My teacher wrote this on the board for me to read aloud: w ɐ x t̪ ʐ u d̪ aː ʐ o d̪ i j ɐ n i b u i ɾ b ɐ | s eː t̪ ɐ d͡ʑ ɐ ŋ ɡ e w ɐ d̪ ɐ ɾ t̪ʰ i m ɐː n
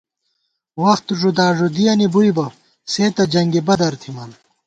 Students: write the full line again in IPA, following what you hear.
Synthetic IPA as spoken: w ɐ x t̪ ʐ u d̪ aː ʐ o d̪ i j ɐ n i b u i b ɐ | s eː t̪ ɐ d͡ʑ ɐ ŋ ɡ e b ɐ d̪ ɐ ɾ t̪ʰ i m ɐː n